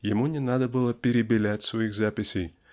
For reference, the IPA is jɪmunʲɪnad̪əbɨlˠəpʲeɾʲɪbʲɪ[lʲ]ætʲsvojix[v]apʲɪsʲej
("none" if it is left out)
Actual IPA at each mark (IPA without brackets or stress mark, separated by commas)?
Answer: lʲ, z